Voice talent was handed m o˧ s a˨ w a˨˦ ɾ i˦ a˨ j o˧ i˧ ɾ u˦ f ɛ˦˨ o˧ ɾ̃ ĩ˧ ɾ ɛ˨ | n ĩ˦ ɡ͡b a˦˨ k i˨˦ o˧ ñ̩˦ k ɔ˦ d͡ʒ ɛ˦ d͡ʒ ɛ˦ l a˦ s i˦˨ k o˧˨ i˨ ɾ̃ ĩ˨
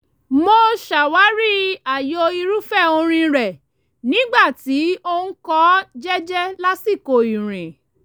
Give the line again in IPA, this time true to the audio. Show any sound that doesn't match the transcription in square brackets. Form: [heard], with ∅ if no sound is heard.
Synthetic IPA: m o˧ [ʃ] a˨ w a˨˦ ɾ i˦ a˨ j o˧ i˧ ɾ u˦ f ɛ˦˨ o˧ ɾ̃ ĩ˧ ɾ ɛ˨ | n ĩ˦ ɡ͡b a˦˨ [t] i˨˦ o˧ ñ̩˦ k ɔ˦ d͡ʒ ɛ˦ d͡ʒ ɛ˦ l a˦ s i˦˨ k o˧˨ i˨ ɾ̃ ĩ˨